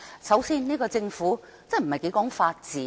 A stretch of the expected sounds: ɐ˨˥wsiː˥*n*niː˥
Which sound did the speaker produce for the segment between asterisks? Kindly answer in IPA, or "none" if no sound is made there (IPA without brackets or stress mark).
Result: n